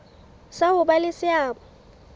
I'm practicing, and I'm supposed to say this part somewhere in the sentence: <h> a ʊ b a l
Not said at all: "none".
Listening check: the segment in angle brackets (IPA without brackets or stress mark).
s